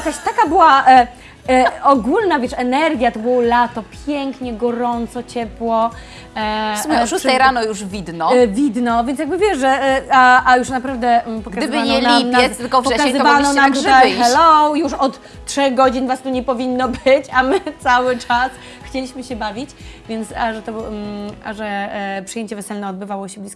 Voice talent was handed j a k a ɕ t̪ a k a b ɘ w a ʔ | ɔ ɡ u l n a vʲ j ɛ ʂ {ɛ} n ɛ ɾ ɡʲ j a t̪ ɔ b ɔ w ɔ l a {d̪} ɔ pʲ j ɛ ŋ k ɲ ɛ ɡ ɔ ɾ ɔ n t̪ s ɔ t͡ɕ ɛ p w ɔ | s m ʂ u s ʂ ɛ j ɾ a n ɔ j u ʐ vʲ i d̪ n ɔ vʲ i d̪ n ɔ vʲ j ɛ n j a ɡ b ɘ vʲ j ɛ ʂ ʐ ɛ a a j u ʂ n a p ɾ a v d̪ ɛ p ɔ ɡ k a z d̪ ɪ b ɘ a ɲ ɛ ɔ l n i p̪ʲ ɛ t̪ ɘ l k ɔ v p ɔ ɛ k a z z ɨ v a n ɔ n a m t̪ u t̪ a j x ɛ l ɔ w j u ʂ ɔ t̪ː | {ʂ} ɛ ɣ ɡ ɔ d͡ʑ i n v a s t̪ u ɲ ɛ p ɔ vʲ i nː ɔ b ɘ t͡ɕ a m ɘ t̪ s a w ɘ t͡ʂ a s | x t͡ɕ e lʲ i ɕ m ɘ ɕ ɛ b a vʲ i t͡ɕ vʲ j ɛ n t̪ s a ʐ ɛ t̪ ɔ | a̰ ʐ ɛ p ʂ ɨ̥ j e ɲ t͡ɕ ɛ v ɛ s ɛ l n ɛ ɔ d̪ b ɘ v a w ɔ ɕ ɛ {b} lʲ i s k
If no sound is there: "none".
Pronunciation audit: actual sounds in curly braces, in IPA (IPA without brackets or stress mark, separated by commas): ɛ, t̪, ʂ, b